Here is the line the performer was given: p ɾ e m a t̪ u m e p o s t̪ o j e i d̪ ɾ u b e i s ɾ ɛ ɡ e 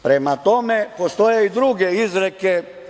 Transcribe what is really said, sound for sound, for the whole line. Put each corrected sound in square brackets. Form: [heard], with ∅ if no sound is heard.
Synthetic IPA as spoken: p ɾ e m a t̪ [o] m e p o s t̪ o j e i d̪ ɾ u [ɡ] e i [z] ɾ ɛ [k] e